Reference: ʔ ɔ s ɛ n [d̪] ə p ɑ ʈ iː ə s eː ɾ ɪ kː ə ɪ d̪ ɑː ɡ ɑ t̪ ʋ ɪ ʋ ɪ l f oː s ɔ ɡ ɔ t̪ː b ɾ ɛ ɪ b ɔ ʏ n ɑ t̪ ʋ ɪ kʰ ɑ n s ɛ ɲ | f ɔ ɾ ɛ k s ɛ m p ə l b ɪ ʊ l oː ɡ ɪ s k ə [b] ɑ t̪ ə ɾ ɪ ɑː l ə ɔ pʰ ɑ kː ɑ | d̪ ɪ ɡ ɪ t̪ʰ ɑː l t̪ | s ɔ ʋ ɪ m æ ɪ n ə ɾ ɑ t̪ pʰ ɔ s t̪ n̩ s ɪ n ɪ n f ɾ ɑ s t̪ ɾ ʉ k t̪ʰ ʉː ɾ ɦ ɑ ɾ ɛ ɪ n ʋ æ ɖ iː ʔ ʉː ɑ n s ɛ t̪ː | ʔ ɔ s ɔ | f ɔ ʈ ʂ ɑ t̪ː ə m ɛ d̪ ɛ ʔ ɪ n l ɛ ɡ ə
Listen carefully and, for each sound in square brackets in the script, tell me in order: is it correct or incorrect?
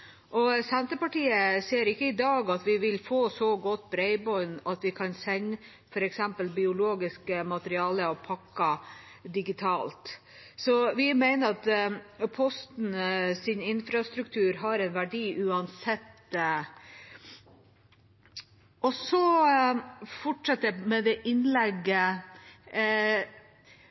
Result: incorrect, incorrect

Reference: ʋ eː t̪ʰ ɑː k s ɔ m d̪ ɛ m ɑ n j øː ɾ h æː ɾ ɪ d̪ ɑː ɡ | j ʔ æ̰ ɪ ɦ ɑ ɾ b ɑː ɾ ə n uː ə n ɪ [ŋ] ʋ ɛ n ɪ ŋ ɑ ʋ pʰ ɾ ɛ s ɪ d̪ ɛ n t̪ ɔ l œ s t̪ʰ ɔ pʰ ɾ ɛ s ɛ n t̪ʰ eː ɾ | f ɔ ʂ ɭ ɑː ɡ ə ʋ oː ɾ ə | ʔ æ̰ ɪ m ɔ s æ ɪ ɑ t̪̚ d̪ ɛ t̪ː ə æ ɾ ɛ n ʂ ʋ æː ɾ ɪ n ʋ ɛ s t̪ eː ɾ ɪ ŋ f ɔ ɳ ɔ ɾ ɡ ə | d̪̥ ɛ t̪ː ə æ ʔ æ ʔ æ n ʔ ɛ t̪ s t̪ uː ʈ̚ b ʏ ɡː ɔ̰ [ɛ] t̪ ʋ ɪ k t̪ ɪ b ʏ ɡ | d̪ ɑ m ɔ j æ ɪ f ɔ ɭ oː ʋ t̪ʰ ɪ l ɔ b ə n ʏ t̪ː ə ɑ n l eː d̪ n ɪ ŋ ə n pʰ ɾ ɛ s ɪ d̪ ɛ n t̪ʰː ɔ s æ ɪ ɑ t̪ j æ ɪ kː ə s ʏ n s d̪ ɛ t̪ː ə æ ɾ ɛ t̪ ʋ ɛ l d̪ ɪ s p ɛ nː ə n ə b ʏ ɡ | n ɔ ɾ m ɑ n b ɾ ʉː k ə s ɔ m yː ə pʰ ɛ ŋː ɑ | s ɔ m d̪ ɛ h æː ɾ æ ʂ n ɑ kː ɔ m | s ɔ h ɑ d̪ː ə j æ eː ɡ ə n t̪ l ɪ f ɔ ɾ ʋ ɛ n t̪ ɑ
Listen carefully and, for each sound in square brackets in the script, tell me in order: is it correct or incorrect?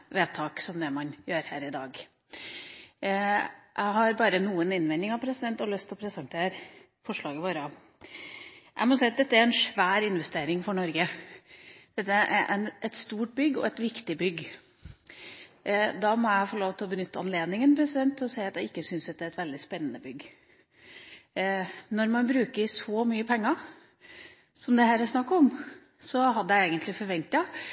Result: incorrect, correct

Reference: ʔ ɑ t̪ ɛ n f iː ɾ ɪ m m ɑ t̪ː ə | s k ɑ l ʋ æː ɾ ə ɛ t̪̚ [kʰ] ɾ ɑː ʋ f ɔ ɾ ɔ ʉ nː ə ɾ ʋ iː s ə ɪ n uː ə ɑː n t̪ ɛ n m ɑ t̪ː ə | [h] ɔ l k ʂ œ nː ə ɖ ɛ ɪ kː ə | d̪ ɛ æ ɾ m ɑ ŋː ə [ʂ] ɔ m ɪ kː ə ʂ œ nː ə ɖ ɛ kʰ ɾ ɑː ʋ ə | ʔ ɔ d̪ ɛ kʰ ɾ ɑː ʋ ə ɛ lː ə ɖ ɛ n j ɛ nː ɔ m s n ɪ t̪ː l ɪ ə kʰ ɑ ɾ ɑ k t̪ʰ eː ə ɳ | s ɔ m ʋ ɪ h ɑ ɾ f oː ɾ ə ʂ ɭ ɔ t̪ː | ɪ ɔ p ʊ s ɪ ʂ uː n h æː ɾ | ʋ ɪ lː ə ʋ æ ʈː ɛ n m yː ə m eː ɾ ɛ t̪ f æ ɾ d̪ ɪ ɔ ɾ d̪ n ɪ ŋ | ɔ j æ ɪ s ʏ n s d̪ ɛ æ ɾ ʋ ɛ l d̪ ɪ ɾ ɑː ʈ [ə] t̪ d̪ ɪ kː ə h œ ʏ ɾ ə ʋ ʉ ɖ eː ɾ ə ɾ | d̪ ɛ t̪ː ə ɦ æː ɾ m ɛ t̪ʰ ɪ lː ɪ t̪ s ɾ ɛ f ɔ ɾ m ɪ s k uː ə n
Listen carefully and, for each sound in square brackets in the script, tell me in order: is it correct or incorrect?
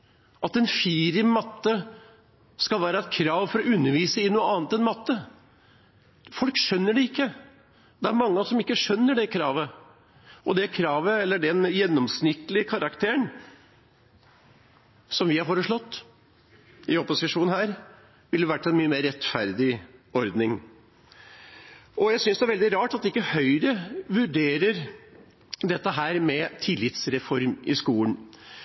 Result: correct, incorrect, incorrect, incorrect

